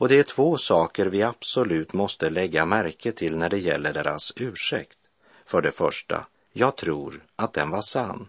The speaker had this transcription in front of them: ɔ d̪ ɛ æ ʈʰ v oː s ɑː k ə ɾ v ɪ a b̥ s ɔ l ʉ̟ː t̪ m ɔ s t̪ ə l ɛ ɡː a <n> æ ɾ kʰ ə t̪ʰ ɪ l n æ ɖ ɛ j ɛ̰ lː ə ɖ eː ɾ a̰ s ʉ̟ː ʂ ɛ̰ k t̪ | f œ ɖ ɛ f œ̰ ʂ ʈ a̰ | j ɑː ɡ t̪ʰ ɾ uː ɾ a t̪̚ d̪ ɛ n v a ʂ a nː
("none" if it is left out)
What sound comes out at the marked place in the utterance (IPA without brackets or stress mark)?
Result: m